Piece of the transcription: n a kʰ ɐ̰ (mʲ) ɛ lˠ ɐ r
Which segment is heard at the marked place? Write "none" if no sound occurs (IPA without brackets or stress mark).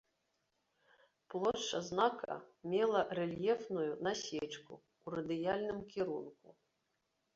mʲ